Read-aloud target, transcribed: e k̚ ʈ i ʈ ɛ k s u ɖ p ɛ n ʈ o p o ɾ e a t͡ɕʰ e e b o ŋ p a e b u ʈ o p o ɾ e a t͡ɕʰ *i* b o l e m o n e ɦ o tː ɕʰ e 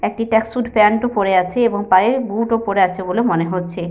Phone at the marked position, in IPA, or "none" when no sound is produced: e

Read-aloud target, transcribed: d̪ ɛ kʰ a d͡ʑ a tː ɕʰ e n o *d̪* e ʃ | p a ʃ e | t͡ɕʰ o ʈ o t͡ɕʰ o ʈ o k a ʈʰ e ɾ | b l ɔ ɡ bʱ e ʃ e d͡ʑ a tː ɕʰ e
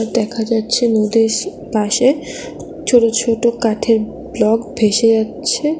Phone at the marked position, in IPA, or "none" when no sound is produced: d̪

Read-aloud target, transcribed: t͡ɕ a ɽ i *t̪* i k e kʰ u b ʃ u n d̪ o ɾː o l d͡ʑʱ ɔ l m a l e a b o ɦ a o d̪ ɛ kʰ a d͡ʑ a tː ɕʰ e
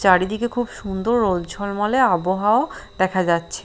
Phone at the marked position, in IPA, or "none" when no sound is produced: d̪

